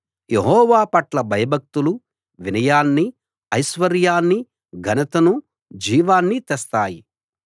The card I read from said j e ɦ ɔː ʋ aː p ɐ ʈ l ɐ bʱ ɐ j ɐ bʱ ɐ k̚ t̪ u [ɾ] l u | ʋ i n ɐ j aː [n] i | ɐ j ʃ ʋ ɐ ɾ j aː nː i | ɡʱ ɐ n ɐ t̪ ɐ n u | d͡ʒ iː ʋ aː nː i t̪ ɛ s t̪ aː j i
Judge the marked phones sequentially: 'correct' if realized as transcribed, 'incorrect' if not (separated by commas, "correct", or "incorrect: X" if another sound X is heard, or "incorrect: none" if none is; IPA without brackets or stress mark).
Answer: incorrect: none, incorrect: nː